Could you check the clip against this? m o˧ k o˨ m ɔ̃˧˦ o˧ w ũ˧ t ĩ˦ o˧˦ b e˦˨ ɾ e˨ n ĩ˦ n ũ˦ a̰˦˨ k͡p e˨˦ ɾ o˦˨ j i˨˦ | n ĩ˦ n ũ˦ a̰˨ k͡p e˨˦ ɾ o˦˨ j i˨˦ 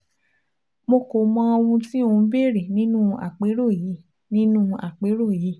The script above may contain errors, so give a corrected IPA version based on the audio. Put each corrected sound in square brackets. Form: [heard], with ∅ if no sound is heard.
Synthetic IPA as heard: m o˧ k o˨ m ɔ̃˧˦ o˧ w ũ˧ t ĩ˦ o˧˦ b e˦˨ ɾ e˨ n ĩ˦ n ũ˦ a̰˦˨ k͡p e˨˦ ɾ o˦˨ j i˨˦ | n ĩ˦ n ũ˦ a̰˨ k͡p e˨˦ ɾ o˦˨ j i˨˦